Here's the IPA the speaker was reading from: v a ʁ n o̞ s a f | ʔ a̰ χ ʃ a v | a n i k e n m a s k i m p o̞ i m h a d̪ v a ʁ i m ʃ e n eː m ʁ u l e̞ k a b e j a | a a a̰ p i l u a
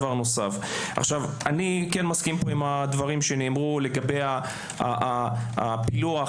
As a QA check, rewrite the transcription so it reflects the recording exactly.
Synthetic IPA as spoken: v a ʁ n o̞ s a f | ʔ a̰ χ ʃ a v | a n i k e n m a s k i m p o̞ i m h a d̪ v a ʁ i m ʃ e n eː m ʁ u l e̞ ɡ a b e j a | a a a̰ p i l u a